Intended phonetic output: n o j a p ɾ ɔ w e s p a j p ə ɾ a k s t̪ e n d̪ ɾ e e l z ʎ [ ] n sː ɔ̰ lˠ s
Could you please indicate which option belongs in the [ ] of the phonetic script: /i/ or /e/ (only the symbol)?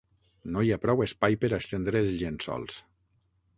e